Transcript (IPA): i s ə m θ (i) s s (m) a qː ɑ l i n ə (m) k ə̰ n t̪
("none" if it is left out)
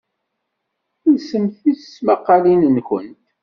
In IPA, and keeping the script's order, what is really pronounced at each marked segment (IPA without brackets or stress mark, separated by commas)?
i, m, n